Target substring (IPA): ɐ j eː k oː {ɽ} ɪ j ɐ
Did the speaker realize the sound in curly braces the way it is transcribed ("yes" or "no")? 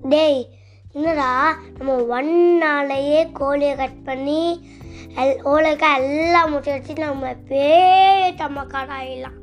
no